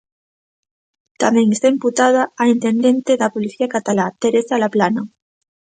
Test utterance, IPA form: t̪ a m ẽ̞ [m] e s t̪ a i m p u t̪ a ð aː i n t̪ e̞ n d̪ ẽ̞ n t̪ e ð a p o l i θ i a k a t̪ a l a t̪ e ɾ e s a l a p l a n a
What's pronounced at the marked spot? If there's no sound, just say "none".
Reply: ŋ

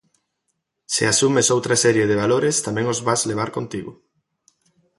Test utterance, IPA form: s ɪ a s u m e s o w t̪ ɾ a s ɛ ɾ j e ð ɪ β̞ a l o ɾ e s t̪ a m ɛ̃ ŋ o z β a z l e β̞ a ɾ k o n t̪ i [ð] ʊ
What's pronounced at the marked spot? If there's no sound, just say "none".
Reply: ɣ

